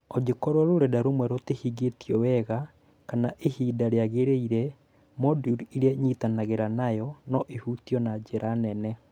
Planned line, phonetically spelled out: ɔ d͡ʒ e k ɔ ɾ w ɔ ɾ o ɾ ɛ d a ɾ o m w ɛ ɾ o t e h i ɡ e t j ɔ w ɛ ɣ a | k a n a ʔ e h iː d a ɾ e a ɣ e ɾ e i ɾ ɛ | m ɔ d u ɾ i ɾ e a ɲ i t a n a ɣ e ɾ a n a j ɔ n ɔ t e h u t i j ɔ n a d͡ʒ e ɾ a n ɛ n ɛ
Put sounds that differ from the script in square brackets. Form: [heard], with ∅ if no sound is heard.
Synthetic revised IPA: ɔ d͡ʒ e k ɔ ɾ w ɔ ɾ o ɾ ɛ d a ɾ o m w ɛ ɾ o t e h i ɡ e t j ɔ w ɛ ɣ a | k a n a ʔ e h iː d a ɾ e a ɣ e ɾ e i ɾ ɛ | m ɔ d u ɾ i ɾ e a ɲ i t a n a ɣ e ɾ a n a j ɔ n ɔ [ʔ] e h u t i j ɔ n a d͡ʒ e ɾ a n ɛ n ɛ